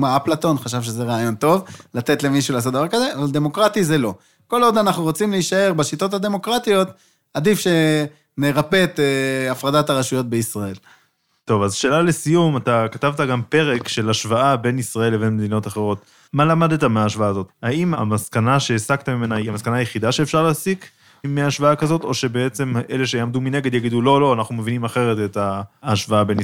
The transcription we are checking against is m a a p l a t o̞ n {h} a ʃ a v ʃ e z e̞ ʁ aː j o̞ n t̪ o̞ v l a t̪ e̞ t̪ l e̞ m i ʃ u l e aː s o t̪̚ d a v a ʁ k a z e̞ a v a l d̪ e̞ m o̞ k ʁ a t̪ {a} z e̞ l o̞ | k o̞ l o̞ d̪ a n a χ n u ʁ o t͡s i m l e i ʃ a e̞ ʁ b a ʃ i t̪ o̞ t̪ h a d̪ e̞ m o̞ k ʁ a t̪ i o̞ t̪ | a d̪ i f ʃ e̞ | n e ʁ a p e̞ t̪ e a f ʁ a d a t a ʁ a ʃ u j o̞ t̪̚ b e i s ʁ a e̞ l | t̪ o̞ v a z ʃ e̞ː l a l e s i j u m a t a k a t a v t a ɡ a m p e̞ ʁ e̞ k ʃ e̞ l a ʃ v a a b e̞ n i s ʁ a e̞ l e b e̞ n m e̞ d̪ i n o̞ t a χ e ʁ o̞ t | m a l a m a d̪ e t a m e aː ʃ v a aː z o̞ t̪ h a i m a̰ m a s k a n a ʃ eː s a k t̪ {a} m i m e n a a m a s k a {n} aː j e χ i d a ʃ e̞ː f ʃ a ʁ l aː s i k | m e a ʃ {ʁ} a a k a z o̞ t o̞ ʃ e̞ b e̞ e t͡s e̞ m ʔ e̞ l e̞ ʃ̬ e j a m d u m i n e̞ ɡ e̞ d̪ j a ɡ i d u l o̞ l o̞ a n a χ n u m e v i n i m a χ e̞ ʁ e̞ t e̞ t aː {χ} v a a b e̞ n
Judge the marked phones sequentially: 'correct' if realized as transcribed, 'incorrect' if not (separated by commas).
incorrect, incorrect, correct, correct, incorrect, incorrect